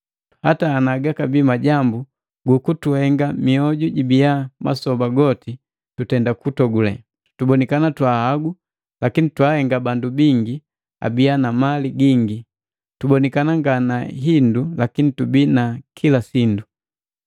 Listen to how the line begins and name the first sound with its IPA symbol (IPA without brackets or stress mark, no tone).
h